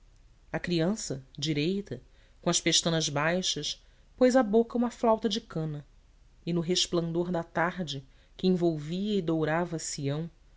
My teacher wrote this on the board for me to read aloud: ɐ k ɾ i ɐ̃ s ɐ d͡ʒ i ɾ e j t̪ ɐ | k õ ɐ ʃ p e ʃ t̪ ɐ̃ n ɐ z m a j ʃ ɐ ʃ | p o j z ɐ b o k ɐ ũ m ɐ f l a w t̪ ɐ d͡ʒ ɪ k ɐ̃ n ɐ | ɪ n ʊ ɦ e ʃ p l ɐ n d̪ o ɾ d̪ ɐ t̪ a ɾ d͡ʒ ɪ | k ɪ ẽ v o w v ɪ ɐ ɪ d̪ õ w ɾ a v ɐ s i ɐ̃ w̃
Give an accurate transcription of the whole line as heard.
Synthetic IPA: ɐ k ɾ i ɐ̃ s ɐ d͡ʒ i ɾ e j t̪ ɐ | k õ ɐ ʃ p e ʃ t̪ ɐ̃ n ɐ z b a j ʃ ɐ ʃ | p o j z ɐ b o k ɐ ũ m ɐ f l a w t̪ ɐ d͡ʒ ɪ k ɐ̃ n ɐ | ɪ n ʊ ɦ e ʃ p l ɐ̃ n d̪ o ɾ d̪ ɐ t̪ a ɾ d͡ʒ ɪ | k ɪ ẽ v o w v i ɐ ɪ d̪ o w ɾ a v ɐ s i ɐ̃ w̃